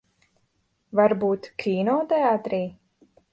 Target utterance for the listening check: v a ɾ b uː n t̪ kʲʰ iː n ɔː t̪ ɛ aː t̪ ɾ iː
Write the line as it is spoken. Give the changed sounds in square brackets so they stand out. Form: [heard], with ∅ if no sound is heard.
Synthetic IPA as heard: v a ɾ b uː [∅] t̪ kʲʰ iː n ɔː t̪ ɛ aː t̪ ɾ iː